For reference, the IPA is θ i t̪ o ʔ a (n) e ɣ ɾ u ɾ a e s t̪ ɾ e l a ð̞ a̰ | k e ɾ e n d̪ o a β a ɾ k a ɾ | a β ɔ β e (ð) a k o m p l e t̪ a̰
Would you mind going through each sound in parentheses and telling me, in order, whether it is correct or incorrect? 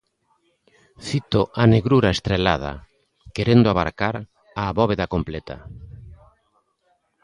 correct, correct

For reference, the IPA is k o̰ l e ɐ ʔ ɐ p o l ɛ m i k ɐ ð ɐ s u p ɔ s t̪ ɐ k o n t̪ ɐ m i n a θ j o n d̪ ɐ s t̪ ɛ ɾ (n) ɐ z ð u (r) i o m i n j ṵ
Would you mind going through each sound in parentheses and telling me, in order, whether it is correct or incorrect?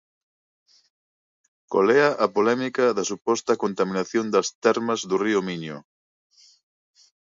incorrect, correct

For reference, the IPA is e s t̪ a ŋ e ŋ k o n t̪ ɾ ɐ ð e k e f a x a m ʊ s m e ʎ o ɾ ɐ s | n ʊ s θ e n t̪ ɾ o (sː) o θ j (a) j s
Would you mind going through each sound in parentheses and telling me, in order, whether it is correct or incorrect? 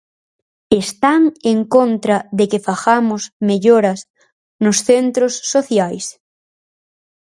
correct, correct

